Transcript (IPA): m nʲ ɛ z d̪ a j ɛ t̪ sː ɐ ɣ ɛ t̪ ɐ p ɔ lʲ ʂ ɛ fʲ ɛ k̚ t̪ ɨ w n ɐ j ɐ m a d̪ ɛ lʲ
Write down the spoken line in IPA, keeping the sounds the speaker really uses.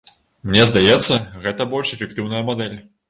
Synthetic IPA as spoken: m nʲ ɛ z d̪ a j ɛ t̪ sː ɐ ɣ ɛ t̪ ɐ b ɔ lʲ ʂ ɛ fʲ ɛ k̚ t̪ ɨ w n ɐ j ɐ m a d̪ ɛ lʲ